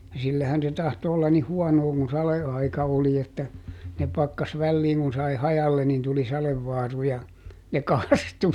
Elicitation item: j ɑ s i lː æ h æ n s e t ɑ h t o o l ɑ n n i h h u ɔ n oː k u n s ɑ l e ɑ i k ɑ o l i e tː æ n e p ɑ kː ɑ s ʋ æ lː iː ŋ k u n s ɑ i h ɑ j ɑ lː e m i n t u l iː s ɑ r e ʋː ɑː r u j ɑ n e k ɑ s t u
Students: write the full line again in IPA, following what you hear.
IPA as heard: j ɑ s i lː æ h æ n s e t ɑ h t o o lː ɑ n n i h h u ɔ n oː k u n s ɑ l e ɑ i k ɑ o l i e tː æ n e p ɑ kː ɑ s ʋ æ lː iː ŋ k u n s ɑ i h ɑ j ɑ lː e n i n t u l i s ɑ l e ʋː ɑː r u j ɑ n e k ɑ s t u

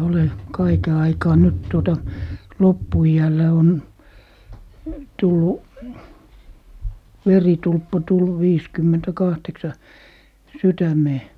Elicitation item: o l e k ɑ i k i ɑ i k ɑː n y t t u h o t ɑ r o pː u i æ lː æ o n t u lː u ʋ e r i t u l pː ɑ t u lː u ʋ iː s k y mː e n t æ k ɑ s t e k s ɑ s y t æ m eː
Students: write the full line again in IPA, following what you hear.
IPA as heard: o l e k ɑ i k e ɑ i k ɑː n y t t u o t ɑ l o pː u i æ lː æ o n t u lː u ʋ e r i t u l pː ɑ t u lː u ʋ iː s k y mː e n t æ k ɑ h t e k s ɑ s y t æ m eː

